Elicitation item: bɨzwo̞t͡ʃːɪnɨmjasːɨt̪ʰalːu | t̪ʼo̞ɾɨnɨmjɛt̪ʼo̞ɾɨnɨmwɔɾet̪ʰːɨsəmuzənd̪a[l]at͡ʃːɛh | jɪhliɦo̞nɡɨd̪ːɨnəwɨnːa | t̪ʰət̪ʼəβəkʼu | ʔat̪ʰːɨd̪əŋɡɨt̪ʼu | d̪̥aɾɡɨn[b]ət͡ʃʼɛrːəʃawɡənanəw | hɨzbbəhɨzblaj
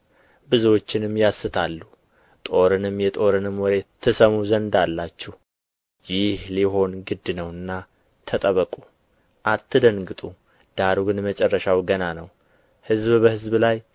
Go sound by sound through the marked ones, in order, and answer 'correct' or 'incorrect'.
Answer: incorrect, incorrect

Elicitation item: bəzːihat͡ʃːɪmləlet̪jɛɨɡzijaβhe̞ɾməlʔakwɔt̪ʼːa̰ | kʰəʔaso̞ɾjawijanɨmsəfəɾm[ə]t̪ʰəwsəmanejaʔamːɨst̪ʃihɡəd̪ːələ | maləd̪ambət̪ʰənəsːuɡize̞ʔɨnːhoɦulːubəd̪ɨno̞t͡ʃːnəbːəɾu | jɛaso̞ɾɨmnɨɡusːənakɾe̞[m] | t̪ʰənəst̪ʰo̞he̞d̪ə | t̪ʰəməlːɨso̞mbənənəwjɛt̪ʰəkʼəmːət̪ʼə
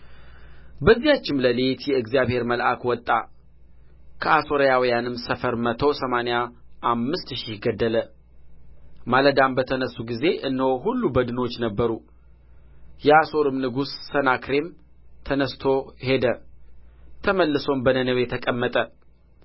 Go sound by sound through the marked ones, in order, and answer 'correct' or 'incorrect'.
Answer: correct, correct

